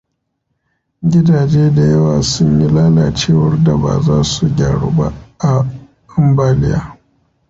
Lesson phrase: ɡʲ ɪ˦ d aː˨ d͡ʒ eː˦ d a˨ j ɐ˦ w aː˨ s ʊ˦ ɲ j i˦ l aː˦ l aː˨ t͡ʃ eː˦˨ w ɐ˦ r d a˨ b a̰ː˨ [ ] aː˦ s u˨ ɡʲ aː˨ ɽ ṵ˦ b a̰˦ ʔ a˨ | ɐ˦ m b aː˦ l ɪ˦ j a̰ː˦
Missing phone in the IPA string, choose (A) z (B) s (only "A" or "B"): A